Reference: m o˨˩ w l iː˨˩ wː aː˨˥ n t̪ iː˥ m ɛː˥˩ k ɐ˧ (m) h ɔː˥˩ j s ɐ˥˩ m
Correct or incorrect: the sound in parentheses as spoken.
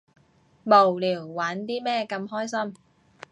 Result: correct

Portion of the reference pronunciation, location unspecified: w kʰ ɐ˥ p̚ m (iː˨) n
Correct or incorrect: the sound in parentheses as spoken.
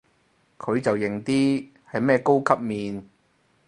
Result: correct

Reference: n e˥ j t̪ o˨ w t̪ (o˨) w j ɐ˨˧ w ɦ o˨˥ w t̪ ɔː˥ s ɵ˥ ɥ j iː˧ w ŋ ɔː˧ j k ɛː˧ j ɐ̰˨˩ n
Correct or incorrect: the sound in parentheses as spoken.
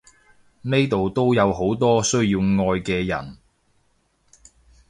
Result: incorrect: o˥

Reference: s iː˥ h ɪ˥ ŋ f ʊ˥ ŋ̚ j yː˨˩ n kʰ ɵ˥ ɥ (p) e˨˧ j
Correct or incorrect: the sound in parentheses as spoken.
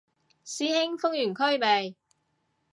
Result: correct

